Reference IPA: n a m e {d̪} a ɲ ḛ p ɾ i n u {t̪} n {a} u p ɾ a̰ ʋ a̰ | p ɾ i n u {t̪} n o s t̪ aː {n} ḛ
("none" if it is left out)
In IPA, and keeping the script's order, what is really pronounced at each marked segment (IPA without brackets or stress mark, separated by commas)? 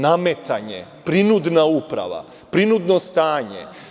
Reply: t̪, d̪, a, d̪, ɲ